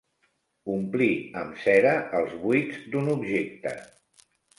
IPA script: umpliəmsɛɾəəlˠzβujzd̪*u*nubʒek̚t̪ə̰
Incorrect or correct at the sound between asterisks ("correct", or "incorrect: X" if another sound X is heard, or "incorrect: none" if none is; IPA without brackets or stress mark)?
correct